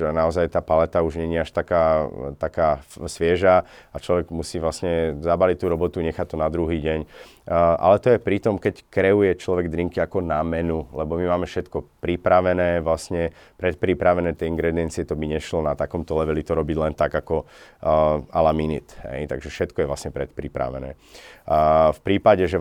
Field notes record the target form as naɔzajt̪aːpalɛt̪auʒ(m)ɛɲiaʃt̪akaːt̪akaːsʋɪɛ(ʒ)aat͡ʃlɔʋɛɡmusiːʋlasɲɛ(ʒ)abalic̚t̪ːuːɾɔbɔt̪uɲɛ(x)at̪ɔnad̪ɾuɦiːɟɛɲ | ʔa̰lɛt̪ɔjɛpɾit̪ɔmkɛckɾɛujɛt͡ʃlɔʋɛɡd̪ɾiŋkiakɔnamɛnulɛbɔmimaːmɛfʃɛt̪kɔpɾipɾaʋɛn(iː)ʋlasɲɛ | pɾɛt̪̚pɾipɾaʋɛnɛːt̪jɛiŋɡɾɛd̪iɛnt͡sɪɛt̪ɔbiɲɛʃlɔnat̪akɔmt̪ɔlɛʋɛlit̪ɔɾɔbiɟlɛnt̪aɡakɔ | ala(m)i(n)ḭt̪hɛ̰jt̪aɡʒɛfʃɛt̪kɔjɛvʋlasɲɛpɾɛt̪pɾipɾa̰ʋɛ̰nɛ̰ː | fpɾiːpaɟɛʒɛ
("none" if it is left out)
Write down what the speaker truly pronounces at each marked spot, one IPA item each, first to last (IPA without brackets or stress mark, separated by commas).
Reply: ɲ, ʒ, z, x, ɛː, m, n